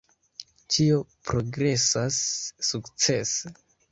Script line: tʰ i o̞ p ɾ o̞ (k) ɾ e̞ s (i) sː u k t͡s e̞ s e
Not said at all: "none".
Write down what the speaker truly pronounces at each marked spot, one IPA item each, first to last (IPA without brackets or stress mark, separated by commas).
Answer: ɡ, a